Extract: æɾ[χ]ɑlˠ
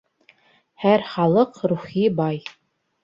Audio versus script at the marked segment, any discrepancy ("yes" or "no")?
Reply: no